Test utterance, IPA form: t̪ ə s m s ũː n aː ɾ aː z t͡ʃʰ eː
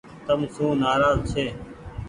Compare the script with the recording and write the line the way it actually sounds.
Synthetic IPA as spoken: t̪ ə m s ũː n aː ɾ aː z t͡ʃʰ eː